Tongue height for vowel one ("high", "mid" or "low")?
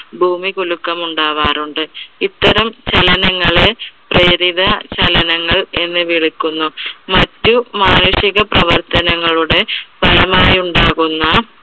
high